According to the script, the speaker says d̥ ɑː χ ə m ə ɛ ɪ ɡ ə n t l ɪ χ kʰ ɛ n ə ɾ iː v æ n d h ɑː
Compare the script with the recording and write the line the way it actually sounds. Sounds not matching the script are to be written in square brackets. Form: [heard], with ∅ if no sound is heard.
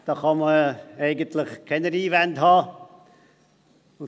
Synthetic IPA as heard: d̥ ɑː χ [ɑ] m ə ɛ ɪ ɡ ə n t l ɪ χ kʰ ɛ n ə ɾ iː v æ n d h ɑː